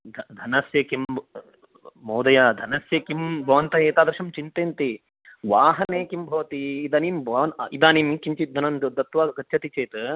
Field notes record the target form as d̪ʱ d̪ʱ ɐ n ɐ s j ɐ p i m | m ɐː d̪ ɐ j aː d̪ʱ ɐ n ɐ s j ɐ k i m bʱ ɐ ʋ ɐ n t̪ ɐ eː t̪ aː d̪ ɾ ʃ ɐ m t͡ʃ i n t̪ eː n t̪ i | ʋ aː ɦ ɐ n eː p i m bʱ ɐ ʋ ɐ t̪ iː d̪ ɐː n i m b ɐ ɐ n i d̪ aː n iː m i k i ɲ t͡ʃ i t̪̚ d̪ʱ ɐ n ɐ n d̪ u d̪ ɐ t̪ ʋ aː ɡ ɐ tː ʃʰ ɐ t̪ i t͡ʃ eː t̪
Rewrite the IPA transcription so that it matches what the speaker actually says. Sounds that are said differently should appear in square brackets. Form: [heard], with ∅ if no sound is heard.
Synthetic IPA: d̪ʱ d̪ʱ ɐ n ɐ s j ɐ [k] i m | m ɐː d̪ ɐ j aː d̪ʱ ɐ n ɐ s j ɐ k i m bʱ ɐ ʋ ɐ n t̪ ɐ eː t̪ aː d̪ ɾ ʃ ɐ m t͡ʃ i n t̪ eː n t̪ i | ʋ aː ɦ ɐ n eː [k] i m bʱ ɐ ʋ ɐ t̪ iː d̪ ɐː n i m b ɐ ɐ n i d̪ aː n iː m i k i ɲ t͡ʃ i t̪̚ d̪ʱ ɐ n ɐ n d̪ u d̪ ɐ t̪ ʋ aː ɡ ɐ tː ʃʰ ɐ t̪ i t͡ʃ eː t̪

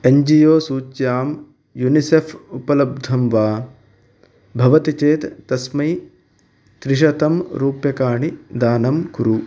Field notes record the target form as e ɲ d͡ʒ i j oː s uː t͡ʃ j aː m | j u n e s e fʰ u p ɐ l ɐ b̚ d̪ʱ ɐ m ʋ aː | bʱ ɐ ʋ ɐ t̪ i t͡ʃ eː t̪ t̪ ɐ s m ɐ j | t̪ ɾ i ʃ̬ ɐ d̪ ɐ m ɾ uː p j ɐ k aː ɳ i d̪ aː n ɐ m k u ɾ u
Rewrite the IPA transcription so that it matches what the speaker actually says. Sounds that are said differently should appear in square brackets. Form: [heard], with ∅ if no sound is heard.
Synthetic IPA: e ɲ d͡ʒ i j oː s uː t͡ʃ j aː m | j u n [i] s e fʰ u p ɐ l ɐ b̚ d̪ʱ ɐ m ʋ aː | bʱ ɐ ʋ ɐ t̪ i t͡ʃ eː t̪ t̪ ɐ s m ɐ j | t̪ ɾ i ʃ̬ ɐ [t̪] ɐ m ɾ uː p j ɐ k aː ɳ i d̪ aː n ɐ m k u ɾ u

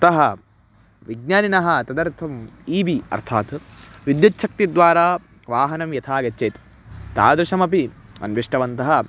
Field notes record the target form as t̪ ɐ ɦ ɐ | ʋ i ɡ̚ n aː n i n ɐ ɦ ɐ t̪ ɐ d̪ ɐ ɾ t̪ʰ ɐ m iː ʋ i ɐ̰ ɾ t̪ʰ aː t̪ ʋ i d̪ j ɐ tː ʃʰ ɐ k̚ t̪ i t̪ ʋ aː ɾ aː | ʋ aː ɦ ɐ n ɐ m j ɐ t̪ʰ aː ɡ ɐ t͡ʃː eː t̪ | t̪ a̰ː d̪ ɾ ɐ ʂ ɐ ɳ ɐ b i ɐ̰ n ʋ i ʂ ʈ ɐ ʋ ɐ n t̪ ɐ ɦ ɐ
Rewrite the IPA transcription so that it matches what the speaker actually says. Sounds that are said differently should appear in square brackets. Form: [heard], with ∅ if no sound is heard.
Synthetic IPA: t̪ ɐ ɦ ɐ | ʋ i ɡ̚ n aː n i n ɐ ɦ ɐ t̪ ɐ d̪ ɐ ɾ t̪ʰ ɐ m iː ʋ i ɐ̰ ɾ t̪ʰ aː t̪ ʋ i d̪ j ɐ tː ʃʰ ɐ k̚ t̪ i [d̪] ʋ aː ɾ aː | ʋ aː ɦ ɐ n ɐ m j ɐ t̪ʰ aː ɡ ɐ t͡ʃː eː t̪ | t̪ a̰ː d̪ ɾ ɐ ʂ ɐ [m] ɐ [p] i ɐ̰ n ʋ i ʂ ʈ ɐ ʋ ɐ n t̪ ɐ ɦ ɐ

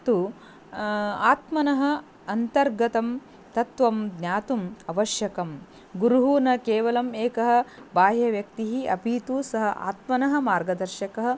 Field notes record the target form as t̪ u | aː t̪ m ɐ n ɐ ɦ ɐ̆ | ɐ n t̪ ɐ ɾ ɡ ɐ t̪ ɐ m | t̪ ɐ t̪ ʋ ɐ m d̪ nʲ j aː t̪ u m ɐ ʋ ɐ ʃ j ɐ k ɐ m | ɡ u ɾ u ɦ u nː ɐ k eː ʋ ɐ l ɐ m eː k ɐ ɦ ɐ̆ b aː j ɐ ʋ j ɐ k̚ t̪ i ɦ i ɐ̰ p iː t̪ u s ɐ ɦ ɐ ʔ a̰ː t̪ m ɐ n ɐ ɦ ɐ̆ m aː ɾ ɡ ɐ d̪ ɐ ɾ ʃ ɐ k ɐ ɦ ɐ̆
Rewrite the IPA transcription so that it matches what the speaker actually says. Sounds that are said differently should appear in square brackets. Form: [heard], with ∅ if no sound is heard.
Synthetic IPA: t̪ u | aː t̪ m ɐ n ɐ ɦ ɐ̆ | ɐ n t̪ ɐ ɾ ɡ ɐ t̪ ɐ m | t̪ ɐ t̪ ʋ ɐ m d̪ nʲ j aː t̪ u m ɐ ʋ ɐ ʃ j ɐ k ɐ m | ɡ u ɾ u ɦ u [n] ɐ k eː ʋ ɐ l ɐ m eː k ɐ ɦ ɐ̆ b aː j ɐ ʋ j ɐ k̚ t̪ i ɦ i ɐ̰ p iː t̪ u s ɐ ɦ ɐ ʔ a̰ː t̪ m ɐ n ɐ ɦ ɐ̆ m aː ɾ ɡ ɐ d̪ ɐ ɾ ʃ ɐ k ɐ ɦ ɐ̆

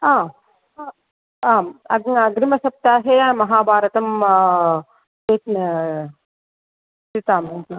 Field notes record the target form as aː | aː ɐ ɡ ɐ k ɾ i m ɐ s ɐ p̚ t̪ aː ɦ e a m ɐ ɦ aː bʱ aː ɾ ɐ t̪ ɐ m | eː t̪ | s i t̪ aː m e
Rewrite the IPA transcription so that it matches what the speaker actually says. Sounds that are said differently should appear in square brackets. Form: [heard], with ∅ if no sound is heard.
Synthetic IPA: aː | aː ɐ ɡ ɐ [ɡ] ɾ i m ɐ s ɐ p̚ t̪ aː ɦ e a m ɐ ɦ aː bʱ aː ɾ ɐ t̪ ɐ m | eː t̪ | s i t̪ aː m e

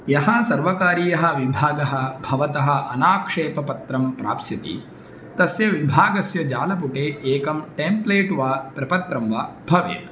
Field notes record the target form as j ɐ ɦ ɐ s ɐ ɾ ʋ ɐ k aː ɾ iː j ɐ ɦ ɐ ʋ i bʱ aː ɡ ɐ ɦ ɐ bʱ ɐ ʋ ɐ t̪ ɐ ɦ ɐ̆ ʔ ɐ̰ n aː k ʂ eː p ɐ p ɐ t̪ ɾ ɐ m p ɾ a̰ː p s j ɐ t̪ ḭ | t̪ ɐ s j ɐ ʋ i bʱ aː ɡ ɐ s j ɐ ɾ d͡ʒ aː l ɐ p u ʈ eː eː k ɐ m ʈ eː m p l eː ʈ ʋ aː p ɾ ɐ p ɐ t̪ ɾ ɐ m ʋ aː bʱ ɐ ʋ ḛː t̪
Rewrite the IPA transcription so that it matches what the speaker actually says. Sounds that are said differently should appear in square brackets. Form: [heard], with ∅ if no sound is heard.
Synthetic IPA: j ɐ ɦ ɐ s ɐ ɾ ʋ ɐ k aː ɾ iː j ɐ ɦ ɐ ʋ i bʱ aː ɡ ɐ ɦ ɐ bʱ ɐ ʋ ɐ t̪ ɐ ɦ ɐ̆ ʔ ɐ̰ n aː k ʂ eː p ɐ p ɐ t̪ ɾ ɐ m p ɾ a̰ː p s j ɐ t̪ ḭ | t̪ ɐ s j ɐ ʋ i bʱ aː ɡ ɐ s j ɐ [∅] d͡ʒ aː l ɐ p u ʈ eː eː k ɐ m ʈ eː m p l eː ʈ ʋ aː p ɾ ɐ p ɐ t̪ ɾ ɐ m ʋ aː bʱ ɐ ʋ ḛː t̪

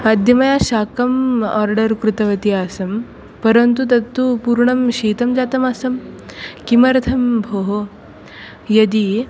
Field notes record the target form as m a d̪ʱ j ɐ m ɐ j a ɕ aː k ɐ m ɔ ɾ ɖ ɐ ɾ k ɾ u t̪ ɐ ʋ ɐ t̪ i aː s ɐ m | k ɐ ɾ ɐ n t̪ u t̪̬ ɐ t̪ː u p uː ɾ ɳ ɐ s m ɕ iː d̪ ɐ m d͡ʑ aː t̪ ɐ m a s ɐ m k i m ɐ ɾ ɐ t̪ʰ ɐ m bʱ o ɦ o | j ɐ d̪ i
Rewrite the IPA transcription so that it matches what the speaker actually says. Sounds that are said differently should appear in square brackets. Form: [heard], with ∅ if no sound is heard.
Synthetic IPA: m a d̪ʱ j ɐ m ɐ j a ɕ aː k ɐ m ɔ ɾ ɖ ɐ ɾ k ɾ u t̪ ɐ ʋ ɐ t̪ i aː s ɐ m | [p] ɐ ɾ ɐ n t̪ u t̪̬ ɐ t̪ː u p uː ɾ ɳ ɐ [∅] m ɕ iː [t̪] ɐ m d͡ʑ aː t̪ ɐ m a s ɐ m k i m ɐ ɾ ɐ t̪ʰ ɐ m bʱ o ɦ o | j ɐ d̪ i

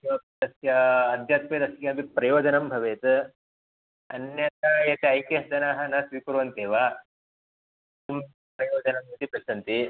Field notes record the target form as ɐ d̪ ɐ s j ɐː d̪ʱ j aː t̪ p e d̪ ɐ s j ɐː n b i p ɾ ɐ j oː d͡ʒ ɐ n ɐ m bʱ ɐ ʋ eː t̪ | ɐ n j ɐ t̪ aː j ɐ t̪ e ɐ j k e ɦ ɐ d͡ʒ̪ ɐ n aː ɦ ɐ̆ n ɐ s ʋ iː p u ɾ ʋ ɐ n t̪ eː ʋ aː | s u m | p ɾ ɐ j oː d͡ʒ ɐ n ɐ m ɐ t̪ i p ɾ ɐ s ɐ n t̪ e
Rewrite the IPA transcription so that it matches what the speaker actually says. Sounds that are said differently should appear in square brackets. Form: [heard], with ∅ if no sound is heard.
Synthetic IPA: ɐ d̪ ɐ s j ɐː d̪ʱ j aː t̪ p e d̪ ɐ s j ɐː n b i p ɾ ɐ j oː d͡ʒ ɐ n ɐ m bʱ ɐ ʋ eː t̪ | ɐ n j ɐ t̪ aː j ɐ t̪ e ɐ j k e ɦ ɐ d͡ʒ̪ ɐ n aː ɦ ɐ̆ n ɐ s ʋ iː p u ɾ ʋ ɐ n t̪ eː ʋ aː | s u m | p ɾ ɐ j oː d͡ʒ ɐ n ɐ m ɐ t̪ i p ɾ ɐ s ɐ n t̪ [i]

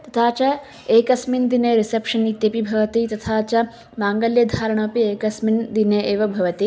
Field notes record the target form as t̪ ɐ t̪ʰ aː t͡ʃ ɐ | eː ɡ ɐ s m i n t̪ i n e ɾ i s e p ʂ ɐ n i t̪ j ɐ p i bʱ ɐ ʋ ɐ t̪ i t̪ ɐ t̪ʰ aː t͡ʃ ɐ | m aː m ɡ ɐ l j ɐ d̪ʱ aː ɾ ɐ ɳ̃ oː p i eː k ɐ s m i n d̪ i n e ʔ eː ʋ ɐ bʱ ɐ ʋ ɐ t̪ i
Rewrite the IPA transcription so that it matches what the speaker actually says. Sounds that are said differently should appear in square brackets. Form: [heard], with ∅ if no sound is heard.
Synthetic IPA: t̪ ɐ t̪ʰ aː t͡ʃ ɐ | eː [k] ɐ s m i n [d̪] i n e ɾ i s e p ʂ ɐ n i t̪ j ɐ p i bʱ ɐ ʋ ɐ t̪ i t̪ ɐ t̪ʰ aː t͡ʃ ɐ | m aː [ŋ] ɡ ɐ l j ɐ d̪ʱ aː ɾ ɐ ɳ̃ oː p i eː k ɐ s m i n d̪ i n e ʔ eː ʋ ɐ bʱ ɐ ʋ ɐ t̪ i

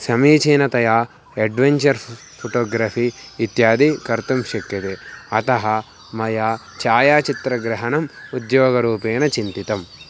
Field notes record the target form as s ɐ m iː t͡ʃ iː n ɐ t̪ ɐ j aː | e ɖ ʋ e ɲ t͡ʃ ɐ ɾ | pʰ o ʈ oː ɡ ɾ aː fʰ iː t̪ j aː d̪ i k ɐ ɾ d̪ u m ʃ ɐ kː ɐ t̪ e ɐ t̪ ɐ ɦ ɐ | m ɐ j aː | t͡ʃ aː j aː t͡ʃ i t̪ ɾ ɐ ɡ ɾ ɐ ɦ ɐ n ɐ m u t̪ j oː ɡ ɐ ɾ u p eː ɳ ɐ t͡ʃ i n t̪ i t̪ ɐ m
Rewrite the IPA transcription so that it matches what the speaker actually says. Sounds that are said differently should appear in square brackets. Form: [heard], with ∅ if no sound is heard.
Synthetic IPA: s ɐ m iː t͡ʃ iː n ɐ t̪ ɐ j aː | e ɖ ʋ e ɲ t͡ʃ ɐ ɾ | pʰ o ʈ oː ɡ ɾ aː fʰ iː t̪ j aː d̪ i k ɐ ɾ [t̪] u m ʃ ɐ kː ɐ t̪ e ɐ t̪ ɐ ɦ ɐ | m ɐ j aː | t͡ʃ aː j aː t͡ʃ i t̪ ɾ ɐ ɡ ɾ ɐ ɦ ɐ n ɐ m u [d̪] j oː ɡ ɐ ɾ [uː] p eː [n] ɐ t͡ʃ i n t̪ i t̪ ɐ m

